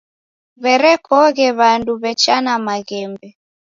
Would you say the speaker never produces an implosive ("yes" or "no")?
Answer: yes